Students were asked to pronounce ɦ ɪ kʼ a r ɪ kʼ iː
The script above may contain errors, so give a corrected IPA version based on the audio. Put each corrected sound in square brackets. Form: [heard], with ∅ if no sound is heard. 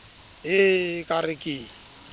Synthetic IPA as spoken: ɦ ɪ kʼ a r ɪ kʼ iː